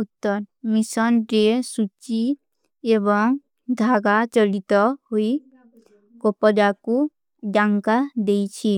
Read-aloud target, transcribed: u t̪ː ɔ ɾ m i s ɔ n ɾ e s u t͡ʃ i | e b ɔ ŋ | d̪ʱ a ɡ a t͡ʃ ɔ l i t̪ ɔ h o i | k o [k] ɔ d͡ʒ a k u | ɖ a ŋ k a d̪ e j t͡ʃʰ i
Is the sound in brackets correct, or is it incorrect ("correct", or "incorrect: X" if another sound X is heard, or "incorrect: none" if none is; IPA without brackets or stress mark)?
incorrect: p